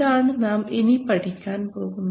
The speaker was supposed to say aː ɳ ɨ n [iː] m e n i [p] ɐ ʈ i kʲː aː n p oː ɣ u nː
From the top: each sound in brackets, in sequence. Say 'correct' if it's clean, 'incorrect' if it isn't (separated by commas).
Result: incorrect, correct